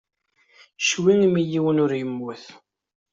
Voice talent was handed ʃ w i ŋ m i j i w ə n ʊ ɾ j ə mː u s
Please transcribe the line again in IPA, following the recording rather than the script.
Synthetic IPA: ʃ w i ŋ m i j i w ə n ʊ ɾ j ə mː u θ